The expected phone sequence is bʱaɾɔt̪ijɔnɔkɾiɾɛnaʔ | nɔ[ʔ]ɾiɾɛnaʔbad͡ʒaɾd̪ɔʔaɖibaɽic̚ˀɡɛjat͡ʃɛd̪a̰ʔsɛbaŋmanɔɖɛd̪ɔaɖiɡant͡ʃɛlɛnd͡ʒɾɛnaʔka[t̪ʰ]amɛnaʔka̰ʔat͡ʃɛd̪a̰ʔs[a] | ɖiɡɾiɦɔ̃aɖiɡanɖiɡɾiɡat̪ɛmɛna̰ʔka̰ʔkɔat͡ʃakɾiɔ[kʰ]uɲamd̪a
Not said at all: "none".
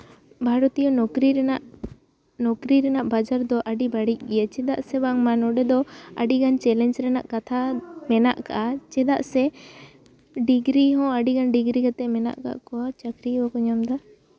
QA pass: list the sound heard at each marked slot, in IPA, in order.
k, t̪ʰ, ɛ, k

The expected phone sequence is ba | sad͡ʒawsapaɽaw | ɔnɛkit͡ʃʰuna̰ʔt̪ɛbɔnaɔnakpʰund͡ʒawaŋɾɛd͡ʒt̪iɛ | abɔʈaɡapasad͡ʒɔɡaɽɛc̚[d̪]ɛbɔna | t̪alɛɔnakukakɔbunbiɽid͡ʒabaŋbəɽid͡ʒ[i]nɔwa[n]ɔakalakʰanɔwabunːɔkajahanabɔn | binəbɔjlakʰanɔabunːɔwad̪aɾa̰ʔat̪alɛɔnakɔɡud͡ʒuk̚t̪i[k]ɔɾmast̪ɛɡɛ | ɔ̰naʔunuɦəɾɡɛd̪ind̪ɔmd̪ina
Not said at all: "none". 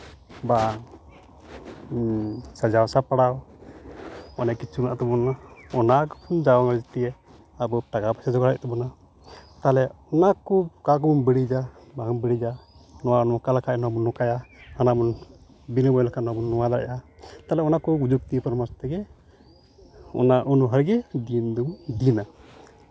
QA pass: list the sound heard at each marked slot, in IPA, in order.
t̪, a, n, p

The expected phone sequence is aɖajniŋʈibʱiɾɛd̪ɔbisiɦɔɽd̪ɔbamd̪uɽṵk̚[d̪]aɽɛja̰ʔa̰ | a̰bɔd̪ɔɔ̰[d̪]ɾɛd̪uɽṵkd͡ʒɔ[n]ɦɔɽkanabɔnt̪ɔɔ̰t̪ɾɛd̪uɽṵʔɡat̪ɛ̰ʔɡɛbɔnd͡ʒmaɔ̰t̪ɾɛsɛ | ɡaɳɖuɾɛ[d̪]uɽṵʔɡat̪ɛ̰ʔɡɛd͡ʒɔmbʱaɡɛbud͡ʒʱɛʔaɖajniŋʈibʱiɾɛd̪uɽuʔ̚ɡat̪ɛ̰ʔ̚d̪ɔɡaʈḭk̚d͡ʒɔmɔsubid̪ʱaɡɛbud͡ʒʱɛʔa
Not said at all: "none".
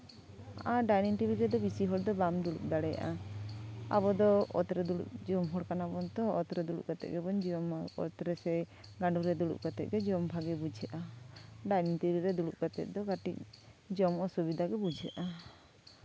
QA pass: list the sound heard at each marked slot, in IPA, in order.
d̪, t̪, m, d̪

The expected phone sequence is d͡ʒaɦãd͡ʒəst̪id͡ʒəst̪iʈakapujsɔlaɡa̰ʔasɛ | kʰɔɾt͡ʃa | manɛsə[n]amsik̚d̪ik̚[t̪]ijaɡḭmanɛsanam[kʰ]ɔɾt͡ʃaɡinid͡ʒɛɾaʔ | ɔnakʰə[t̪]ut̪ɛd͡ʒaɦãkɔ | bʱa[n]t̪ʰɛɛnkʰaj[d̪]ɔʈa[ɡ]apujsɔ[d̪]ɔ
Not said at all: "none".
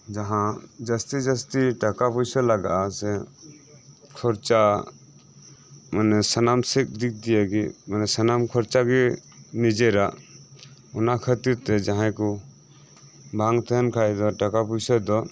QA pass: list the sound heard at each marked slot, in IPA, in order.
n, d̪, kʰ, t̪, ŋ, d̪, k, d̪

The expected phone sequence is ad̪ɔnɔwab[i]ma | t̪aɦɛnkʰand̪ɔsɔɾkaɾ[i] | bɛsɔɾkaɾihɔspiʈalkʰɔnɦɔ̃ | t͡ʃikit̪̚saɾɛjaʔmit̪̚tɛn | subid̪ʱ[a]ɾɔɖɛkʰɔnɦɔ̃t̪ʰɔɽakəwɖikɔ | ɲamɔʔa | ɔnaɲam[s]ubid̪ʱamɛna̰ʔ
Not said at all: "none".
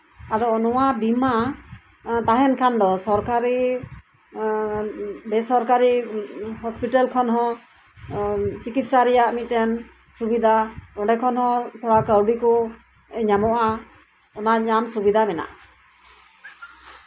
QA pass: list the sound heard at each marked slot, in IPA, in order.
i, i, a, s

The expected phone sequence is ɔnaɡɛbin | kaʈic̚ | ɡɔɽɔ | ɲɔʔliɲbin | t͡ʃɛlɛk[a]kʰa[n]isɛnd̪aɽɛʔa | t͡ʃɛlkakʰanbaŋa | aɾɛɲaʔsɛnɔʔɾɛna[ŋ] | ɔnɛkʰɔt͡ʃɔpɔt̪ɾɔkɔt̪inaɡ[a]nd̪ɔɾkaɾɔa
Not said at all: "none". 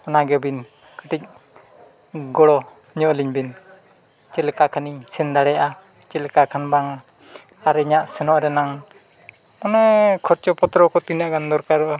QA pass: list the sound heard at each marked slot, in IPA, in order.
a, n, ŋ, a

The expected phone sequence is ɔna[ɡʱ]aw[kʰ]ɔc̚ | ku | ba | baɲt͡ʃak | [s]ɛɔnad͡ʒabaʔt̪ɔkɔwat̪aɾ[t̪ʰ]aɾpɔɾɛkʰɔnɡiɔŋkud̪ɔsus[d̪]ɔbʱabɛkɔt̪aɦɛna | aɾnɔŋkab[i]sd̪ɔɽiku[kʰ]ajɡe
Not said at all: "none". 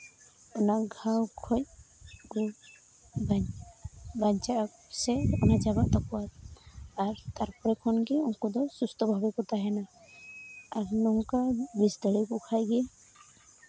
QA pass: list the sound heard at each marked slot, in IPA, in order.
ɡʱ, kʰ, s, t̪, t̪, i, kʰ

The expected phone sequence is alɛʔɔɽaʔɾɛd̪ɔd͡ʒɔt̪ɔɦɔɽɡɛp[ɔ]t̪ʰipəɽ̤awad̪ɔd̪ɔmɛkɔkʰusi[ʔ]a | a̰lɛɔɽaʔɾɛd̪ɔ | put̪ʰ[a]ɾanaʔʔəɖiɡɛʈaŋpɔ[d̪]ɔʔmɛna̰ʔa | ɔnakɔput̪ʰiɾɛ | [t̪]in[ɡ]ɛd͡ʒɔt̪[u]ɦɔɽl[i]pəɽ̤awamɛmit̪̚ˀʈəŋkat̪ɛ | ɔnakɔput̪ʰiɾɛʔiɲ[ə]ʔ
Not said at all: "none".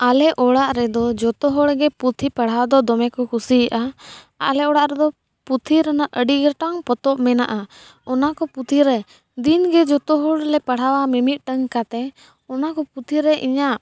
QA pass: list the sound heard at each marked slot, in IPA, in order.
u, ʔ, i, t̪, d̪, ɡ, ɔ, ɛ, a

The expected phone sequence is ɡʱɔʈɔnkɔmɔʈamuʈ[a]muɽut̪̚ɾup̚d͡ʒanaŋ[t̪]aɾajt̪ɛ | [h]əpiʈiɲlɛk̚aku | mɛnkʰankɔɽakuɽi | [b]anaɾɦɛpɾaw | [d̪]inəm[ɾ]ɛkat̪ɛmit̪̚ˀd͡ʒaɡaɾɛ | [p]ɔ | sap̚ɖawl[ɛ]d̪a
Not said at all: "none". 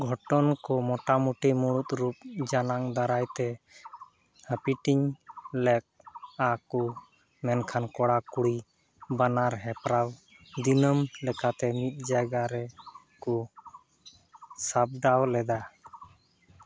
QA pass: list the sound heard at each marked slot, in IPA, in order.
i, d̪, h, b, d̪, l, k, ɛ

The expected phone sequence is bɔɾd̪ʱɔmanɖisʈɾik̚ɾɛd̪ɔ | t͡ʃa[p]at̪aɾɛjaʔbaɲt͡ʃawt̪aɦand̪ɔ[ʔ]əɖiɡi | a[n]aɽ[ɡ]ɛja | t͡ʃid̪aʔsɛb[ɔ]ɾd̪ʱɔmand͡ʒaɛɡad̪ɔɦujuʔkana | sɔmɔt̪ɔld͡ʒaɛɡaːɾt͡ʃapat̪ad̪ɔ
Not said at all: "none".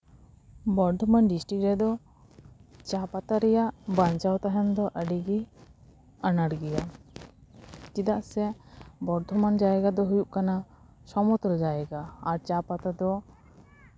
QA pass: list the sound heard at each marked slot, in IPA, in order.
p, ʔ, n, ɡ, ɔ

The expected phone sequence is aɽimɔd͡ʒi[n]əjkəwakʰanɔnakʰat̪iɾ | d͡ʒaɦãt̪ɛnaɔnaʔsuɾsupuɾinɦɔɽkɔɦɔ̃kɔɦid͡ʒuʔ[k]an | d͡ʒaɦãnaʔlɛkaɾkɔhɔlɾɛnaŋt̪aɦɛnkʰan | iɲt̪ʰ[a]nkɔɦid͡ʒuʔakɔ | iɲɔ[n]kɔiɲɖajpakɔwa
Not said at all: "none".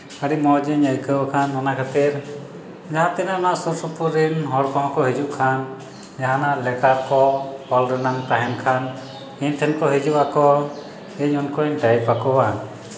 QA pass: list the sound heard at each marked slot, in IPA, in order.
ɲ, kʰ, ɛ, n

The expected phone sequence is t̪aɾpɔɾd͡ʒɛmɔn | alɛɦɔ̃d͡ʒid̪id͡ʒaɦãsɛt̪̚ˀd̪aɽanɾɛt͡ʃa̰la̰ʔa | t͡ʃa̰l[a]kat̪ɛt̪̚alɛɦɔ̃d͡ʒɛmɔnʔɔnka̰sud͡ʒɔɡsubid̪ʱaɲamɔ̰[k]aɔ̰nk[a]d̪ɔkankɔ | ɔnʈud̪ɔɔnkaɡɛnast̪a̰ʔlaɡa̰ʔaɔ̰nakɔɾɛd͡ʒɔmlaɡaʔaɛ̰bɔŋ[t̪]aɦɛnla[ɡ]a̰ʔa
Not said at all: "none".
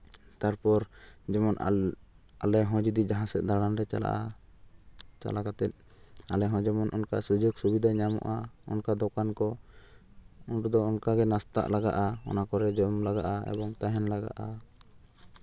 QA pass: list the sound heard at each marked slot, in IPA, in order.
a, ʔ, a, t̪, ɡ

